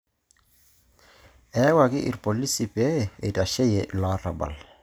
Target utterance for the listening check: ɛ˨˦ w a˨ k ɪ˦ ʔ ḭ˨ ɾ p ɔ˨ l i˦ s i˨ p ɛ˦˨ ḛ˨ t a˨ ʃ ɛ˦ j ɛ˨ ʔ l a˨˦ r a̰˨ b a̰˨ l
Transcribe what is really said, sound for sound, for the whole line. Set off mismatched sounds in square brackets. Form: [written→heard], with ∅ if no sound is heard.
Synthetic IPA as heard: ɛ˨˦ w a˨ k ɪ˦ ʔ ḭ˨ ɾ p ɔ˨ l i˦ s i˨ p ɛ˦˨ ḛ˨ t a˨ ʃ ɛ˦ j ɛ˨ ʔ l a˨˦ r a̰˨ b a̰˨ l